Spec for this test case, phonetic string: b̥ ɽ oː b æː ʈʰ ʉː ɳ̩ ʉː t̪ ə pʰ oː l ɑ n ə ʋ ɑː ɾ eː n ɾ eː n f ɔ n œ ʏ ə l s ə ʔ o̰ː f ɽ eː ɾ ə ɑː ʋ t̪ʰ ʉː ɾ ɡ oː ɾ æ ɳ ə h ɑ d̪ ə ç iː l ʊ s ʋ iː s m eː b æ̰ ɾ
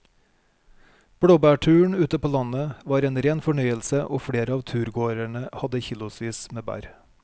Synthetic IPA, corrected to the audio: b̥ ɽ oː b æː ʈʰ ʉː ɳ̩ ʉː t̪ ə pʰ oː l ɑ n ə ʋ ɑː ɾ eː n ɾ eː n f ɔ ɳ œ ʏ ə l s ə ʔ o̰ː f ɽ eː ɾ ə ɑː ʋ t̪ʰ ʉː ɾ ɡ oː ɾ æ ɳ ə h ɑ d̪ ə ç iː l ʊ s ʋ iː s m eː b æ̰ ɾ

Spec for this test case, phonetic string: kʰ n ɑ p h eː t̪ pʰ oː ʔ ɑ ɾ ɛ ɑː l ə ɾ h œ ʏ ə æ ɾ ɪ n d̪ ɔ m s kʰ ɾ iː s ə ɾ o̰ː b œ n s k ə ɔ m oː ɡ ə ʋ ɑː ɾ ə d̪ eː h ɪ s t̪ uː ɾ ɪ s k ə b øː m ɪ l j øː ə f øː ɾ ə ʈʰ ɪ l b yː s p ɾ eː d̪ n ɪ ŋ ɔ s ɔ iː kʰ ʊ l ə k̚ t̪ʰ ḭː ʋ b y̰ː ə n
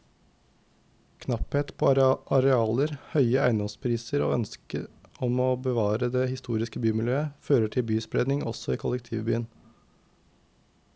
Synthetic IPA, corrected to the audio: kʰ n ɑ p h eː t̪ pʰ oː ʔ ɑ ɾ ɛ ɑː l ə ɾ h œ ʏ ə æ ɪ n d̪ ɔ m s pʰ ɾ iː s ə ɾ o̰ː œ n s k ə ɔ m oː b ə ʋ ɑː ɾ ə d̪ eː h ɪ s t̪ uː ɾ ɪ s k ə b yː m ɪ l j øː ə f øː ɾ ə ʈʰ ɪ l b yː s p ɾ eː d̪ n ɪ ŋ ɔ s ɔ iː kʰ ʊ l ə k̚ t̪ʰ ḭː ʋ b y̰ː ə n

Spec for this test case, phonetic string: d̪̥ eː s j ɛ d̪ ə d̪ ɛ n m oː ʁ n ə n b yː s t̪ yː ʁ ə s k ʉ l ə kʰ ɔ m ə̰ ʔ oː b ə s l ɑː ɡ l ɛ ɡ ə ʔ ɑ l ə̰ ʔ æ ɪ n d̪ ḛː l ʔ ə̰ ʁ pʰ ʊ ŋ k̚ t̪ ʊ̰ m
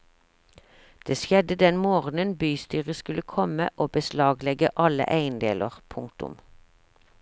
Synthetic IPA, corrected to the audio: d̪̥ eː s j ɛ d̪ ə d̪ ɛ n m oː ʁ n ə n b yː s t̪ yː ʁ ə s k ʉ l ə kʰ ɔ m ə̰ ʔ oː b ə s l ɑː ɡ l ɛ ɡ ə ʔ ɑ l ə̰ ʔ æ ɪ n d̪ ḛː l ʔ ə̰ ʁ pʰ ʊ ŋ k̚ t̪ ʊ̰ m

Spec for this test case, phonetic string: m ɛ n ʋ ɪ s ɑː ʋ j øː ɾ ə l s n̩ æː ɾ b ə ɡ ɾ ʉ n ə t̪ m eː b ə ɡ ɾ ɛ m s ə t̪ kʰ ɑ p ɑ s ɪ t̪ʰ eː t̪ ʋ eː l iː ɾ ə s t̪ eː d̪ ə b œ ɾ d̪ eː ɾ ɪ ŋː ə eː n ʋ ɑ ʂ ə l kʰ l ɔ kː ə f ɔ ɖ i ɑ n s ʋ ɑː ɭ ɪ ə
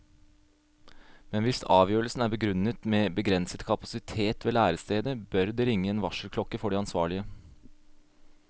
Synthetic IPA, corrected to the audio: m ɛ n ʋ ɪ s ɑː ʋ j øː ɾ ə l s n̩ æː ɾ b ə ɡ ɾ ʉ n ə t̪ m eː b ə ɡ ɾ ɛ n s ə t̪ kʰ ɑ p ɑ s ɪ t̪ʰ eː t̪ ʋ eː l æː ɾ ə s t̪ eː d̪ ə b œ ɾ d̪ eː ɾ ɪ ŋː ə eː n ʋ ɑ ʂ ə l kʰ l ɔ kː ə f ɔ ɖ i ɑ n s ʋ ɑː ɭ ɪ ə

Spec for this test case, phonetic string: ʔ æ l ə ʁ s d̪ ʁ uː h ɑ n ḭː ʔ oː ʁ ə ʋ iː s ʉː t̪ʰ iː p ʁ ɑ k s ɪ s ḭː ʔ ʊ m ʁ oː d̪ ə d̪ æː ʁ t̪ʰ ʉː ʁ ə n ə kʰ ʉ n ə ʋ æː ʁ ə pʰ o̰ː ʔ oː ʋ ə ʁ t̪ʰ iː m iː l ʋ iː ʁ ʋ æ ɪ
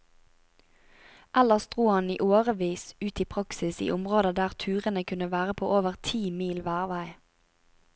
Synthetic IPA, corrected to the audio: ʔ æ l ə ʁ s d̪ ʁ uː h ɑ n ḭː ʔ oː ʁ ə ʋ iː s ʉː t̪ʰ iː pʰ ʁ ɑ k s ɪ s ḭː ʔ ʊ m ʁ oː d̪ ə d̪ æː ʁ t̪ʰ ʉː ʁ ə n ə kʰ ʉ n ə ʋ æː ʁ ə pʰ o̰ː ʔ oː ʋ ə ʁ t̪ʰ iː m iː l ʋ æː ʁ ʋ æ ɪ

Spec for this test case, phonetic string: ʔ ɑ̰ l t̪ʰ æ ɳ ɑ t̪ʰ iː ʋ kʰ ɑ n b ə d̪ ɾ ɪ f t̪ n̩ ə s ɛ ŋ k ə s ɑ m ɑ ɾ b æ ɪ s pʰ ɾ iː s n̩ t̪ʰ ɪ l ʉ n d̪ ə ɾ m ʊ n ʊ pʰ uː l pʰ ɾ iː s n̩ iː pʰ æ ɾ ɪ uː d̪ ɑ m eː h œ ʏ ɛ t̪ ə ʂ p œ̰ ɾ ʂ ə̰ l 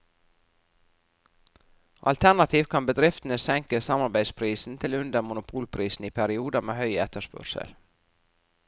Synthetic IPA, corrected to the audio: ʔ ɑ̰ l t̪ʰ æ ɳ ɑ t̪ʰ iː ʋ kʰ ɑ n b ə d̪ ɾ ɪ f t̪ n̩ ə s ɛ ŋ k ə s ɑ m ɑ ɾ b æ ɪ s pʰ ɾ iː s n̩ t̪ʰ ɪ l ʉ n d̪ ə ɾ m ʊ n ʊ pʰ uː l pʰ ɾ iː s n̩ iː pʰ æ ɾ ɪ uː d̪ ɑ m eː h œ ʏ ɛ t̪ ə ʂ p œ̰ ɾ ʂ ə̰ l

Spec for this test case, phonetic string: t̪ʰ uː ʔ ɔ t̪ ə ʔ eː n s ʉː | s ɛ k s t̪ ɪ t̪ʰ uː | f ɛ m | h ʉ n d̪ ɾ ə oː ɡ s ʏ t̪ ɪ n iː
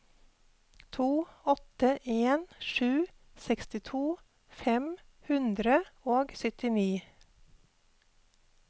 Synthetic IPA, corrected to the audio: t̪ʰ uː ɔ t̪ ə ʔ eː n ʃ ʉː | s ɛ k s t̪ ɪ t̪ʰ uː | f ɛ m | h ʉ n d̪ ɾ ə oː ɡ s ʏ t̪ ɪ n iː

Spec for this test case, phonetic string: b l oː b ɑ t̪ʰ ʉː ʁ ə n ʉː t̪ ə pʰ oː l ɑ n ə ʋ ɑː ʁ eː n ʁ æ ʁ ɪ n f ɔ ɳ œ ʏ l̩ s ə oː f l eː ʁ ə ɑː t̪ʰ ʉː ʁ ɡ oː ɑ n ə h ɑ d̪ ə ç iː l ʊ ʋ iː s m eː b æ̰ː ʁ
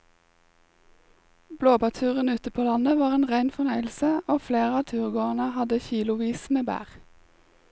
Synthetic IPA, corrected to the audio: b l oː b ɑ t̪ʰ ʉː ʁ ə n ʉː t̪ ə pʰ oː l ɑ n ə ʋ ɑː ʁ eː n ʁ æ ɪ n f ɔ n œ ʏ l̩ s ə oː f l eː ʁ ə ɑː t̪ʰ ʉː ʁ ɡ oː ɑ n ə h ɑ d̪ ə ç iː l ʊ ʋ iː s m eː b æ̰ː ʁ

